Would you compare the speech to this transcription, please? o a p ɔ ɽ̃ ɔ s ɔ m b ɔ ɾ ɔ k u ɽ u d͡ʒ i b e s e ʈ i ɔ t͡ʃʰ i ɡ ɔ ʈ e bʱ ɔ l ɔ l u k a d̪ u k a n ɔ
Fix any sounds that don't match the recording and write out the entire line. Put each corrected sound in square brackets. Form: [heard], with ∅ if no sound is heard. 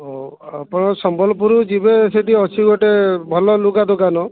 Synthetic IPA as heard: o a p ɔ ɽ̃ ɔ s ɔ m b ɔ [l] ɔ [p] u [ɾ] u d͡ʒ i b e s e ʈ i ɔ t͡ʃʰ i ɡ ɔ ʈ e bʱ ɔ l ɔ l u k a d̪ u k a n ɔ